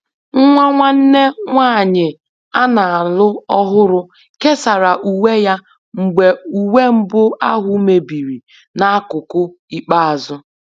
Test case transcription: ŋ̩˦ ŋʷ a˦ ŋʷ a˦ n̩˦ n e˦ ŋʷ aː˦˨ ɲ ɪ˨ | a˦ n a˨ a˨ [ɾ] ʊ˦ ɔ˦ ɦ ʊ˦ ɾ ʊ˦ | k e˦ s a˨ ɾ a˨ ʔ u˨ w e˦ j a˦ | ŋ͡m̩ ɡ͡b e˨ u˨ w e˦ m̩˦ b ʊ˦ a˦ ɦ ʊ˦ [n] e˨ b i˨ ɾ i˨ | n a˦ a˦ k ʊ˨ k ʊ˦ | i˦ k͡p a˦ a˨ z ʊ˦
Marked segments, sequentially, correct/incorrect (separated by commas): incorrect, incorrect